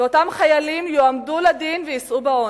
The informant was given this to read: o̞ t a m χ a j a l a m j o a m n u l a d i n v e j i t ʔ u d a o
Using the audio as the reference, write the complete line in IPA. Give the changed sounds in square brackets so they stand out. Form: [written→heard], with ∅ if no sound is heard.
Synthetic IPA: o̞ t a m χ a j a l [a→i] m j o a m [n→d] u l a d i n v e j i [t→s] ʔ u [d→b] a o